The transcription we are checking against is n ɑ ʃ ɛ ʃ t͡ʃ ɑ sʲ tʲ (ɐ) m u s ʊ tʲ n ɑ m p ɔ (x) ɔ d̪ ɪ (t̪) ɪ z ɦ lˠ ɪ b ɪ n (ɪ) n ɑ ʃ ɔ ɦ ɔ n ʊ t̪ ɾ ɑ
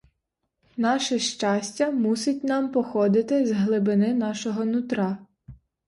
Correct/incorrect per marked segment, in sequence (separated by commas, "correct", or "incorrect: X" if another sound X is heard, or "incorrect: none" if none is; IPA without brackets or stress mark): correct, correct, correct, correct